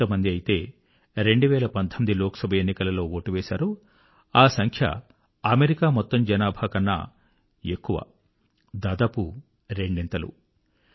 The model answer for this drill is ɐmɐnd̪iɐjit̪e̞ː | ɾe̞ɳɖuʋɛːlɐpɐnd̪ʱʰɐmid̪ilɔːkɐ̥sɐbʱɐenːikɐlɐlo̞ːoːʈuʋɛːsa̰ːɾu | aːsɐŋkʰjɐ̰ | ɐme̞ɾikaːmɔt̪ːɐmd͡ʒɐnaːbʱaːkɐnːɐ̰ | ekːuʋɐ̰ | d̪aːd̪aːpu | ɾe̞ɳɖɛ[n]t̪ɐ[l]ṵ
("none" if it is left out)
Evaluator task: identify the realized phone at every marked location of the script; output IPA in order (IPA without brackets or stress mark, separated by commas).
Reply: n, l